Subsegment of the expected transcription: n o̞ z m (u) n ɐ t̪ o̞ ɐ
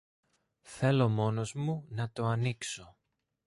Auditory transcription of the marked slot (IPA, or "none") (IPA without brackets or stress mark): u